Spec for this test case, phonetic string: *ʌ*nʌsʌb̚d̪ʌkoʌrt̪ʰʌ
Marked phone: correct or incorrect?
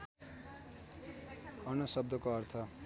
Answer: correct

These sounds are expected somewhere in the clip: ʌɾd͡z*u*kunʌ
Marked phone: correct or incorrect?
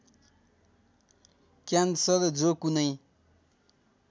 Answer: incorrect: o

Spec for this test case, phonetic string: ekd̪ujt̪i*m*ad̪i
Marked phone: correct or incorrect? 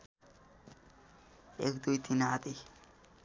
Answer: incorrect: n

